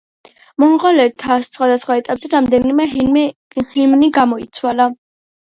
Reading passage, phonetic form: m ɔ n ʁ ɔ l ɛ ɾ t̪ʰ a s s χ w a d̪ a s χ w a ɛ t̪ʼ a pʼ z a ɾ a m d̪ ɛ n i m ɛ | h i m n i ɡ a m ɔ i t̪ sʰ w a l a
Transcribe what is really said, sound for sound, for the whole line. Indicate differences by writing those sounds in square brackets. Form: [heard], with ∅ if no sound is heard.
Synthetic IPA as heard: m ɔ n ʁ ɔ l ɛ ɾ t̪ʰ a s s χ w a d̪ a s χ w a ɛ t̪ʼ a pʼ z [ɛ] ɾ a m d̪ ɛ n i m ɛ | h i m n i ɡ a m ɔ i t̪ sʰ w a l a